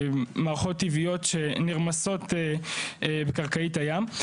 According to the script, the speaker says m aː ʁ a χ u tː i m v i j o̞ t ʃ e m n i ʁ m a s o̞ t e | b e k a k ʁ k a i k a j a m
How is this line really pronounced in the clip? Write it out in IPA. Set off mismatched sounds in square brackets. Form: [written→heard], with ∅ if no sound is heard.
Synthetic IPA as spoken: m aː ʁ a χ [u→o] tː i [m→∅] v i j o̞ t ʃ e [m→∅] n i ʁ m a s o̞ t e | b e k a [k→∅] ʁ k a i [k→t] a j a m